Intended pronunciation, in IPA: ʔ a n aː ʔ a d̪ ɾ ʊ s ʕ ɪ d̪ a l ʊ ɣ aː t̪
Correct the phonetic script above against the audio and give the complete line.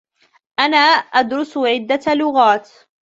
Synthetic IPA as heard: ʔ a n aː ʔ a d̪ ɾ ʊ s ʕ ɪ d̪ː a l ʊ ɣ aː t̪